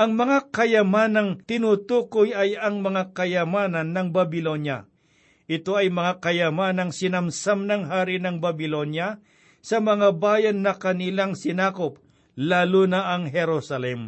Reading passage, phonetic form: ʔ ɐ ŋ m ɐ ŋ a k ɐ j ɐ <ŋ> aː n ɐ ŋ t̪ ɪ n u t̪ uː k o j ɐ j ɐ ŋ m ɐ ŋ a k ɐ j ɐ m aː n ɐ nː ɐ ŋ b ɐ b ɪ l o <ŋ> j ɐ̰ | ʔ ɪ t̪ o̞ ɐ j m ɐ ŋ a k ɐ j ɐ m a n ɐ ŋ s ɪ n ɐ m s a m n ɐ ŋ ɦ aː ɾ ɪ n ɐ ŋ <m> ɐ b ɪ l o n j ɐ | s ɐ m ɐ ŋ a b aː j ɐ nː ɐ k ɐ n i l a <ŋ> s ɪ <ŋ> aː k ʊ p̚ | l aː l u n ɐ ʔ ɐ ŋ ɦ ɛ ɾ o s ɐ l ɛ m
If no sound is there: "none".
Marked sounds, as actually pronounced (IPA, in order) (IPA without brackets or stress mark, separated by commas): m, n, b, ŋ, n